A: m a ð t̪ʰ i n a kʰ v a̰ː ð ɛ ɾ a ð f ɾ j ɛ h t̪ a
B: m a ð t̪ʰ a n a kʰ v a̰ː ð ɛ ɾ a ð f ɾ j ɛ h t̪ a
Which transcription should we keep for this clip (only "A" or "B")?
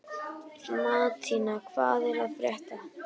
A